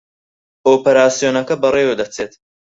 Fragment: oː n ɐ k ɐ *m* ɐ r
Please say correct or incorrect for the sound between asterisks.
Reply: incorrect: b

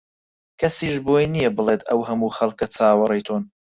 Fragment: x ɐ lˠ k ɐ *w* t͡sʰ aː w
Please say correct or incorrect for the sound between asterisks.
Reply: incorrect: none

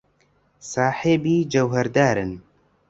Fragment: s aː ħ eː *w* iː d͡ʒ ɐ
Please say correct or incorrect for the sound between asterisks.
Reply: incorrect: b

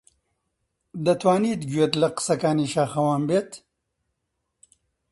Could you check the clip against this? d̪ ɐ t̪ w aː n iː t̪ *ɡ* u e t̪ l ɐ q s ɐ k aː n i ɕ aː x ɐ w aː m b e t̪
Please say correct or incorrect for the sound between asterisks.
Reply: correct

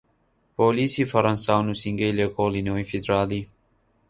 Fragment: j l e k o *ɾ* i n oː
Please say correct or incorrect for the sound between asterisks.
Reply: incorrect: l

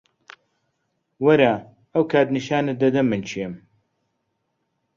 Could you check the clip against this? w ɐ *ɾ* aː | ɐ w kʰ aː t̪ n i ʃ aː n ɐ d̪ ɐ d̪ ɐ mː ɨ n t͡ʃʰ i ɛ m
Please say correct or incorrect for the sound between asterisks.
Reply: correct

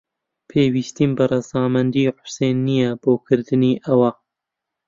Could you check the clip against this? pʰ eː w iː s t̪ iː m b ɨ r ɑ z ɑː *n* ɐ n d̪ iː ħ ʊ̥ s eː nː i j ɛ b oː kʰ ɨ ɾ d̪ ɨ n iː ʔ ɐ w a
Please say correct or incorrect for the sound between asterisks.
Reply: incorrect: m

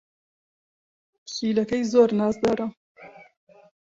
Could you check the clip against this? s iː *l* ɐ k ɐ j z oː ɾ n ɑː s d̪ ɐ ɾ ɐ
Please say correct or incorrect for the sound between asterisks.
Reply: correct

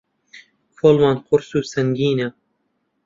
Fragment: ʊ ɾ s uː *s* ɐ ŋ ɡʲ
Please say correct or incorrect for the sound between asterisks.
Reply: correct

